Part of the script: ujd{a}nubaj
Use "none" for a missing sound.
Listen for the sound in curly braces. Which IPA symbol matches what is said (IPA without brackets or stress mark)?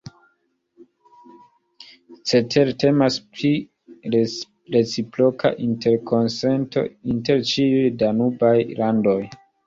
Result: a